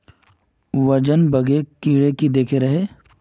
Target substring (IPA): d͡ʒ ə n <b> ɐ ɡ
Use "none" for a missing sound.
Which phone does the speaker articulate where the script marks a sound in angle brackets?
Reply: b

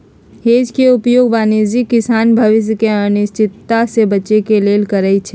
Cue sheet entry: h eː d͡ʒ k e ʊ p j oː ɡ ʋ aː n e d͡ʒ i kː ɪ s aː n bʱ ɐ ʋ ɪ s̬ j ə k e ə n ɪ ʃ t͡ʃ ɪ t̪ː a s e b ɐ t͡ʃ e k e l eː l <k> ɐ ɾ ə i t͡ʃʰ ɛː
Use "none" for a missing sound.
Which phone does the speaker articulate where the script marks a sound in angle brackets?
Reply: k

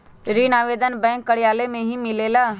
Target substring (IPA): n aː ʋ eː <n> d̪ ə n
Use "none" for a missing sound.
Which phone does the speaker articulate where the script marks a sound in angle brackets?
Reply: none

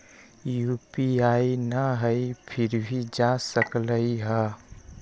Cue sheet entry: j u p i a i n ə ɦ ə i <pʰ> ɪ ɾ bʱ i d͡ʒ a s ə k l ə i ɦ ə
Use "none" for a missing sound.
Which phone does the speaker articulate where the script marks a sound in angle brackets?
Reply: pʰ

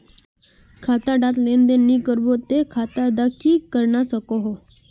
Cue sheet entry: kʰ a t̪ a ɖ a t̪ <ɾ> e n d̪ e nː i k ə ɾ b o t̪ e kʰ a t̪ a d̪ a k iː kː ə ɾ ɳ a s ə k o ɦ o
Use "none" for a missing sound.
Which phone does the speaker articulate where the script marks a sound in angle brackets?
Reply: l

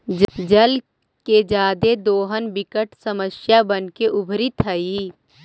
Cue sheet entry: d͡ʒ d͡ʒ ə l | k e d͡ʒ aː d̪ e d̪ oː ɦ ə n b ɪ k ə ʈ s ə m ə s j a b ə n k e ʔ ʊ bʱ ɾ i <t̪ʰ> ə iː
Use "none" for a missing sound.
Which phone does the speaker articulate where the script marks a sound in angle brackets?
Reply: t̪ʰ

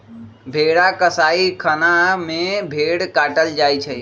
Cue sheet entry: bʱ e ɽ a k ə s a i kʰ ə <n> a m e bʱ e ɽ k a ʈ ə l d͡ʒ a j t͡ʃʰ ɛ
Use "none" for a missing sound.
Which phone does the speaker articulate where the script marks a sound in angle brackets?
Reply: n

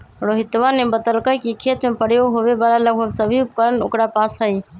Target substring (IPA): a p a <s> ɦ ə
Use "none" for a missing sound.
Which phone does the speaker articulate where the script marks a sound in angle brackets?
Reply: s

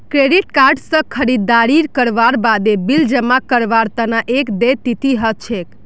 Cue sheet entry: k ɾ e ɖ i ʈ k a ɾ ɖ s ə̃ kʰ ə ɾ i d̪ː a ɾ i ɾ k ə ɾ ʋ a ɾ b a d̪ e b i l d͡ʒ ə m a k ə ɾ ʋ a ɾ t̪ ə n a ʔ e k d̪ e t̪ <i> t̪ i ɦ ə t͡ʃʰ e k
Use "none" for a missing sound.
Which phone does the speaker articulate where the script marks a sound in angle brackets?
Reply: i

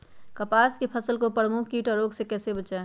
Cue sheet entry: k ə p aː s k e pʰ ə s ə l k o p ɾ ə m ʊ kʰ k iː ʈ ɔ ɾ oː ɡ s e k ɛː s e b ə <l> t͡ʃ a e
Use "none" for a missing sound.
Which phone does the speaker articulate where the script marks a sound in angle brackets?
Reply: none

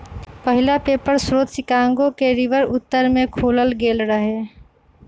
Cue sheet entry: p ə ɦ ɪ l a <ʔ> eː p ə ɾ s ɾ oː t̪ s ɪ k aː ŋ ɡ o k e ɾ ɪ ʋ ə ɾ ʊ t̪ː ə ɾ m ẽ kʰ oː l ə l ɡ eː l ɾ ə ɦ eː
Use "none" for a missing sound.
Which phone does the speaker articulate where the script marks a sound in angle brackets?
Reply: p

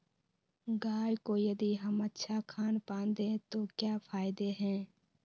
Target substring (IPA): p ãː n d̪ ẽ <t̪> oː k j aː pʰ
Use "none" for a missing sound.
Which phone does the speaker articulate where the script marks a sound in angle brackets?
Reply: t̪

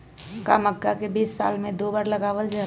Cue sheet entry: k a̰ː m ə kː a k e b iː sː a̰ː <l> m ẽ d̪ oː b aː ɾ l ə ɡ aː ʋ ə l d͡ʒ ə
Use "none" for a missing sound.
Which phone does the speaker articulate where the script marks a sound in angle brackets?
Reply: l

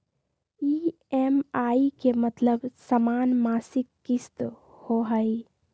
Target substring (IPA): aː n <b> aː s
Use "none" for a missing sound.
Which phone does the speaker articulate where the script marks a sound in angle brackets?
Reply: m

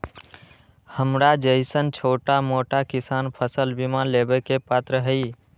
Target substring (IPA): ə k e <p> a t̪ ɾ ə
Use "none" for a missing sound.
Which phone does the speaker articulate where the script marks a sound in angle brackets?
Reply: p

